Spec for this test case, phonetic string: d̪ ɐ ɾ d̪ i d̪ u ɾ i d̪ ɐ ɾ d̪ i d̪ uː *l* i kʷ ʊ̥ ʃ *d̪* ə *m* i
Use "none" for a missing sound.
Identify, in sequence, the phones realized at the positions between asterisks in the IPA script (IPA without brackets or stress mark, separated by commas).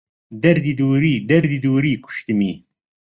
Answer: ɾ, t̪, m